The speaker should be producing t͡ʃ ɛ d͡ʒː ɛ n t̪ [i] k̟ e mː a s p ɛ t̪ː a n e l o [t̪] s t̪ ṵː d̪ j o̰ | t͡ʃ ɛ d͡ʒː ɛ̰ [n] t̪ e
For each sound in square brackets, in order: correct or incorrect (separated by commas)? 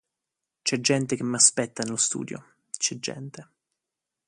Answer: incorrect, incorrect, correct